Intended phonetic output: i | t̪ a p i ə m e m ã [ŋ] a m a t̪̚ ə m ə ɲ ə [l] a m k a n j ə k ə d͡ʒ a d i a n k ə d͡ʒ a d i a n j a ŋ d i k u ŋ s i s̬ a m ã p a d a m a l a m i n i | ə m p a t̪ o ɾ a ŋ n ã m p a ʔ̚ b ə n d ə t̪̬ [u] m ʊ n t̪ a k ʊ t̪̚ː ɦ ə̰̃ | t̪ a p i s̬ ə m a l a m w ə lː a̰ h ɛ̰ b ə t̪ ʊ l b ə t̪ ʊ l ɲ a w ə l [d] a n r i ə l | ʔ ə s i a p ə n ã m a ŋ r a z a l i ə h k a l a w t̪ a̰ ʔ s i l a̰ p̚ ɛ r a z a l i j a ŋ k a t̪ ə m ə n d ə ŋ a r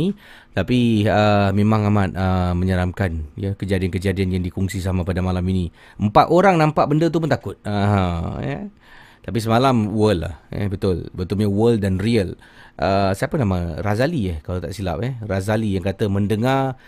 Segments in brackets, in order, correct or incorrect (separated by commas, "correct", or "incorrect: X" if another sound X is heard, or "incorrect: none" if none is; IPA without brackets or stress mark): correct, incorrect: ɾ, correct, correct